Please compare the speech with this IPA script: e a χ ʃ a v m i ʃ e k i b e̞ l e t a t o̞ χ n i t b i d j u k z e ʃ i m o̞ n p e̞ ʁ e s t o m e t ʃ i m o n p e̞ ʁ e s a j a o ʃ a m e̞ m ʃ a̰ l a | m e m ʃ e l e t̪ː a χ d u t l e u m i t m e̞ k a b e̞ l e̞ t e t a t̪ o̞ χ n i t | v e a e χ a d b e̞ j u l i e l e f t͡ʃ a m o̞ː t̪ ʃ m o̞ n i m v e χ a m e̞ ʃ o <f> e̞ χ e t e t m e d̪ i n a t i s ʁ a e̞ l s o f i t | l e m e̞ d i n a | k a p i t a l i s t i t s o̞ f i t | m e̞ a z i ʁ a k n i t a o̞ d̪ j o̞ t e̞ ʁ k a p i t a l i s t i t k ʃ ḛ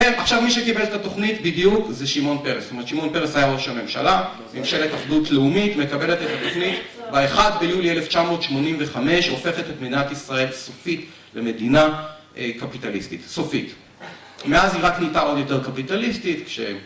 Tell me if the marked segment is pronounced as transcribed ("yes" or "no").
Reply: yes